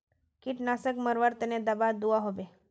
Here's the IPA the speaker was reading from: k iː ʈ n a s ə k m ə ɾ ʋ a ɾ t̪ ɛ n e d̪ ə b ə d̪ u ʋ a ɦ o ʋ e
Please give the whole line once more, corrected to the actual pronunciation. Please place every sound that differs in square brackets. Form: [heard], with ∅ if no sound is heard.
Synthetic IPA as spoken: k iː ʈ n a s ə k m ə ɾ ʋ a ɾ t̪ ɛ n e d̪ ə b [a] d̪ u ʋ a ɦ o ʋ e